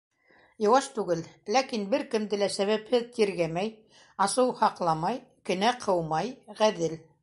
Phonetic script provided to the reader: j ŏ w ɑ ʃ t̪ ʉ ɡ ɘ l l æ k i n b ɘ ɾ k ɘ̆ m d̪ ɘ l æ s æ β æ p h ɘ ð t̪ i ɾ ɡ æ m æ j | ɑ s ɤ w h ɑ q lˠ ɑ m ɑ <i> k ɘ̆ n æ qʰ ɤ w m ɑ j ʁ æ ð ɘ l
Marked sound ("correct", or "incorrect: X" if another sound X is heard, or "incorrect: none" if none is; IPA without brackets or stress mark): incorrect: j